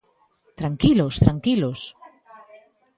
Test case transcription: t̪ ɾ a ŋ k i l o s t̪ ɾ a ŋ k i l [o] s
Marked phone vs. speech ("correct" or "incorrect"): correct